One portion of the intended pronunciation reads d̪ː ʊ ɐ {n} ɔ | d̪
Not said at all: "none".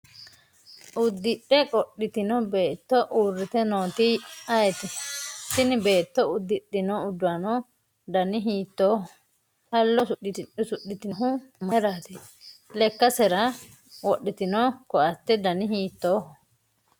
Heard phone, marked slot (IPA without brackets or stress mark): n